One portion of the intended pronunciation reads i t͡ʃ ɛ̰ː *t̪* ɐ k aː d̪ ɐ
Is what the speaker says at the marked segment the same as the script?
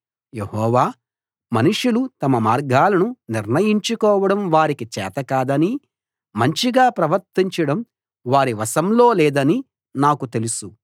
yes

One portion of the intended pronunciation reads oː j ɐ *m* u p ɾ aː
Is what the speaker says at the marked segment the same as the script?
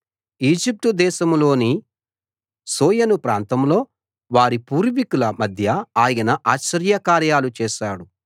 no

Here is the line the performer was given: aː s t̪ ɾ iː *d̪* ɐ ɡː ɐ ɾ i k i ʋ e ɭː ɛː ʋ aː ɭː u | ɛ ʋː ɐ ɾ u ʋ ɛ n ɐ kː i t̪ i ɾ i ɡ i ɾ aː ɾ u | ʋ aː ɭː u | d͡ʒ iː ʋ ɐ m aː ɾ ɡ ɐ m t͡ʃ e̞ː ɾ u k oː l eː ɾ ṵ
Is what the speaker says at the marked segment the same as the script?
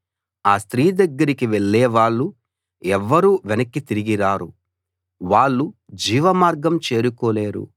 yes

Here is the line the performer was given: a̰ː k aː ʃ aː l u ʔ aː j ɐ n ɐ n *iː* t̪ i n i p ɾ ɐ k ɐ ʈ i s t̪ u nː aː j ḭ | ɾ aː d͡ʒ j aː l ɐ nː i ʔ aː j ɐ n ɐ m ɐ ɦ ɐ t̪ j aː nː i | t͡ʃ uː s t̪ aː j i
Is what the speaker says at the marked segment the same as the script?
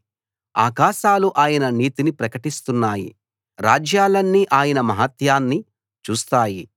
yes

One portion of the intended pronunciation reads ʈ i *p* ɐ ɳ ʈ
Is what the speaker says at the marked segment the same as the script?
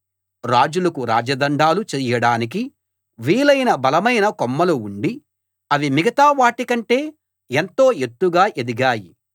no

